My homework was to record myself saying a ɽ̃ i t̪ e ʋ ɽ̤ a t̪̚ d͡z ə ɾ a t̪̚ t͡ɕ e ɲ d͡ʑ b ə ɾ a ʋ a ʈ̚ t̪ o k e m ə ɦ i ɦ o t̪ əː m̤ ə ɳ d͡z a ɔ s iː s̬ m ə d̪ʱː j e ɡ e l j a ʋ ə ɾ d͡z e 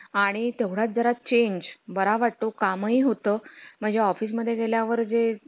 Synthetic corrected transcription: a ɽ̃ i t̪ e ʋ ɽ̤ a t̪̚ d͡z ə ɾ a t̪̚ t͡ɕ e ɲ d͡ʑ b ə ɾ a ʋ a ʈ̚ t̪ o k a m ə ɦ i ɦ o t̪ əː m̤ ə ɳ d͡z e ɔ f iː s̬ m ə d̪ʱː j e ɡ e l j a ʋ ə ɾ d͡z e